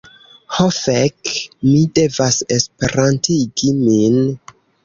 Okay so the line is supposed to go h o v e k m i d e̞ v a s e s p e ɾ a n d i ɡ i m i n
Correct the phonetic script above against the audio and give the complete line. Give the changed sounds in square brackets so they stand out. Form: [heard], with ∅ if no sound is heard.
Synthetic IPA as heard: h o [f] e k m i d e̞ v a s e s p e ɾ a n [t] i ɡ i m i n